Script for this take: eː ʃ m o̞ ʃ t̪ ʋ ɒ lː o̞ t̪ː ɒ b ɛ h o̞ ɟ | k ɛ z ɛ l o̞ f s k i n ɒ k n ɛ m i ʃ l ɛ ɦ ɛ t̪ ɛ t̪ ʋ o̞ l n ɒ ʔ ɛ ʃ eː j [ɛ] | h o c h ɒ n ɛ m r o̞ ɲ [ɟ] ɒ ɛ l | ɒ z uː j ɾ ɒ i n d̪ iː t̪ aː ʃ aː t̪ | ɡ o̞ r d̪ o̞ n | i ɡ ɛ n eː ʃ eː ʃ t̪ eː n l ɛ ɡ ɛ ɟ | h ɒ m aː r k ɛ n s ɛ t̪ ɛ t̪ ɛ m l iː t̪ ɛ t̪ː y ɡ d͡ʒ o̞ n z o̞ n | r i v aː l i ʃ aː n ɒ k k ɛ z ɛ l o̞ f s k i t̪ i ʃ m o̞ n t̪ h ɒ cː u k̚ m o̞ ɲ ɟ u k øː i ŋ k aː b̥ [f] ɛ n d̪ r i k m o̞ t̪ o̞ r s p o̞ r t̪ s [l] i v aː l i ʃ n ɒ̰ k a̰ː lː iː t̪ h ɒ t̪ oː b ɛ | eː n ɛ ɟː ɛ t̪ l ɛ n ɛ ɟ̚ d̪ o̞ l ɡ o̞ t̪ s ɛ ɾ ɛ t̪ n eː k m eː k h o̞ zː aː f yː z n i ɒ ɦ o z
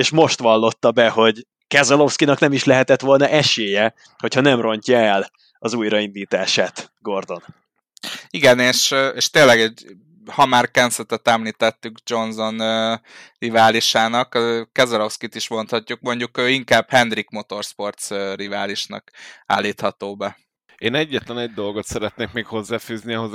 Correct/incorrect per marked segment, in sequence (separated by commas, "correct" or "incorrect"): correct, incorrect, incorrect, incorrect